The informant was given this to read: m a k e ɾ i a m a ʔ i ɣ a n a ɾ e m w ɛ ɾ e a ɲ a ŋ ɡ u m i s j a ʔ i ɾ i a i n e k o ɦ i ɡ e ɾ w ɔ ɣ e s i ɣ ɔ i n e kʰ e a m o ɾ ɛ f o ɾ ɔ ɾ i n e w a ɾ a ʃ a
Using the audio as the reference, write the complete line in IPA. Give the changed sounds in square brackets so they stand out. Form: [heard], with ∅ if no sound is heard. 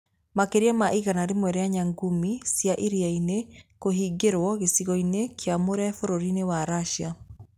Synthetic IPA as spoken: m a k e ɾ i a m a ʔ i ɣ a n a ɾ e m w ɛ ɾ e a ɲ a ŋ ɡ u m i s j a ʔ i ɾ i a i n e k o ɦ i ɡ e ɾ w ɔ ɣ e s i ɣ ɔ i n e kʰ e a m o ɾ ɛ f o ɾ [o] ɾ i n e w a ɾ a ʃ a